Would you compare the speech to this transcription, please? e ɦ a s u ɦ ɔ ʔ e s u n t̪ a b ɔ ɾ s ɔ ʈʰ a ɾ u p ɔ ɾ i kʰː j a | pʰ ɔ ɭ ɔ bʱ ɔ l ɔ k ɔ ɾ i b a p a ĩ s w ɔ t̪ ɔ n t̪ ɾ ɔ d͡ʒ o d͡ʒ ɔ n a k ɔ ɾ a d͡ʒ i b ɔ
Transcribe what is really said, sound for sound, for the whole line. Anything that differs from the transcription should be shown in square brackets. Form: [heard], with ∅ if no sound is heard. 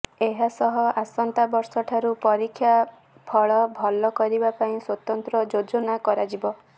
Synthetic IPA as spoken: e ɦ a s [ɔ] ɦ ɔ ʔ [a] s [ɔ] n t̪ a b ɔ ɾ s ɔ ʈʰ a ɾ u p ɔ ɾ i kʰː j a | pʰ ɔ ɭ ɔ bʱ ɔ l ɔ k ɔ ɾ i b a p a ĩ s w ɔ t̪ ɔ n t̪ ɾ ɔ d͡ʒ o d͡ʒ ɔ n a k ɔ ɾ a d͡ʒ i b ɔ